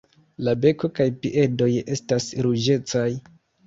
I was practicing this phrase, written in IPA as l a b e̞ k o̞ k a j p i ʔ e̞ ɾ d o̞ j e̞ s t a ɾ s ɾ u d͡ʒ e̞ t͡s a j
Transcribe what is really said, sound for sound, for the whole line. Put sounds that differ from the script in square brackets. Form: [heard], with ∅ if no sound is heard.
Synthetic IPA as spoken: l a b e̞ k o̞ k a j p i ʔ e̞ [∅] d o̞ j e̞ s t a [∅] s ɾ u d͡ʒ e̞ t͡s a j